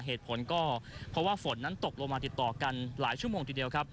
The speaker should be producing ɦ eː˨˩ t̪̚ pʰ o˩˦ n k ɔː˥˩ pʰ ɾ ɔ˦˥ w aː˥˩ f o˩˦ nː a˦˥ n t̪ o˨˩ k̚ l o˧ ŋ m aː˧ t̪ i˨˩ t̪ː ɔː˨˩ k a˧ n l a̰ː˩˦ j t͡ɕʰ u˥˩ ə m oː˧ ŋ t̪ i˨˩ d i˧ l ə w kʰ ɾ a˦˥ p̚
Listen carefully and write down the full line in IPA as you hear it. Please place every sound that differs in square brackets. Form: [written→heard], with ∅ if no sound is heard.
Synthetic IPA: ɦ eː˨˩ t̪̚ pʰ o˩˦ n k ɔː˥˩ pʰ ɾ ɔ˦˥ w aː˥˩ f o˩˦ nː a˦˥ n t̪ o˨˩ k̚ l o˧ ŋ m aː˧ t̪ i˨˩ t̪ː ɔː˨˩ k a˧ n l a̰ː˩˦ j t͡ɕʰ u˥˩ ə m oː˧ ŋ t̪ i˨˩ d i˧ [l→∅] ə w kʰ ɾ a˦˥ p̚

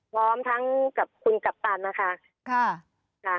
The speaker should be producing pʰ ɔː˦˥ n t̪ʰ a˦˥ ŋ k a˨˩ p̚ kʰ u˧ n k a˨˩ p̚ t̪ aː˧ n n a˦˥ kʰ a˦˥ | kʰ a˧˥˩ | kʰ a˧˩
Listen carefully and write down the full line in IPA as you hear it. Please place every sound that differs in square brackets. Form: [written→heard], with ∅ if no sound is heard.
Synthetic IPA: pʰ ɔː˦˥ [n→m] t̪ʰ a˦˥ ŋ k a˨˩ p̚ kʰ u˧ n k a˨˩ p̚ t̪ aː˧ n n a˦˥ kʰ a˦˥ | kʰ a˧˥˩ | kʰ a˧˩

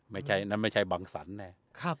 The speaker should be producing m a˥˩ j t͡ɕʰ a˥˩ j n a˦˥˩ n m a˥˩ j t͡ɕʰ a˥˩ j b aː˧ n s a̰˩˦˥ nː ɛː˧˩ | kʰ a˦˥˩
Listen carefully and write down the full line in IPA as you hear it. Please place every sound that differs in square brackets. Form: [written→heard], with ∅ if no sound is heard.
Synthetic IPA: m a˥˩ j t͡ɕʰ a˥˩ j n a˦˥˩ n m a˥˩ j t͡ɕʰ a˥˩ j b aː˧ [n→ŋ] s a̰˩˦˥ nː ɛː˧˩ | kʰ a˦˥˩

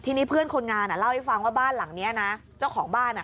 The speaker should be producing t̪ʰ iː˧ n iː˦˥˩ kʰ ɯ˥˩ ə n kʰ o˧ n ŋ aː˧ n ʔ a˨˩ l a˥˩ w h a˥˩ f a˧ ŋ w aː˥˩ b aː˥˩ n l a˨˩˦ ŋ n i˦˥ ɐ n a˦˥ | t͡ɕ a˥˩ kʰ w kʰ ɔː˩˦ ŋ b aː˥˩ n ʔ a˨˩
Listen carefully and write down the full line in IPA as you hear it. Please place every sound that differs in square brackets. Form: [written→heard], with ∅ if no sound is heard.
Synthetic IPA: t̪ʰ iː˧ n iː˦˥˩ [kʰ→pʰ] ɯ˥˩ ə n kʰ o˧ n ŋ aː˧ n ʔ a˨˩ l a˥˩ w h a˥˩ f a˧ ŋ w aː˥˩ b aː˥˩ n l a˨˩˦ ŋ n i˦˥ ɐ n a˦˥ | t͡ɕ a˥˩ [kʰ→∅] w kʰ ɔː˩˦ ŋ b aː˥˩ n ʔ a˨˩

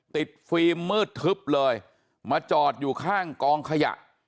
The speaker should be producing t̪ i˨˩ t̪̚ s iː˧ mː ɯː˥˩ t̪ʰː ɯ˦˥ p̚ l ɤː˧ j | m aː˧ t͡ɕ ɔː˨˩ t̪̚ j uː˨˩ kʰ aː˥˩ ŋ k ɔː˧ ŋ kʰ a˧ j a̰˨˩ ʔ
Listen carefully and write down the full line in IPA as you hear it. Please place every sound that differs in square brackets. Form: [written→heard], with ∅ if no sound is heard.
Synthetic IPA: t̪ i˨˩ t̪̚ [s→f] iː˧ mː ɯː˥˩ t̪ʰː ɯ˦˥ p̚ l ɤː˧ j | m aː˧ t͡ɕ ɔː˨˩ t̪̚ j uː˨˩ kʰ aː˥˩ ŋ k ɔː˧ ŋ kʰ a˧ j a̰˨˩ ʔ

